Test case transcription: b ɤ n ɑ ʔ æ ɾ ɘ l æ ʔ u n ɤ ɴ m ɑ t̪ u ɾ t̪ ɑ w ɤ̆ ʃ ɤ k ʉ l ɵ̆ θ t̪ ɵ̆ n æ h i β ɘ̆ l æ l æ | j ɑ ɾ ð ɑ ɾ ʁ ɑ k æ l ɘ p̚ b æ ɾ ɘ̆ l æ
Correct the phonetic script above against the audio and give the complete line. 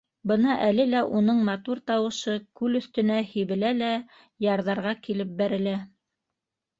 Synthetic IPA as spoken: b ɤ n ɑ ʔ æ l ɘ l æ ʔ u n ɤ ɴ m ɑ t̪ u ɾ t̪ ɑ w ɤ̆ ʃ ɤ k ʉ l ɵ̆ θ t̪ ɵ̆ n æ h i β ɘ̆ l æ l æ | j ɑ ɾ ð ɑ ɾ ʁ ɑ k i l ɘ p̚ b æ ɾ ɘ̆ l æ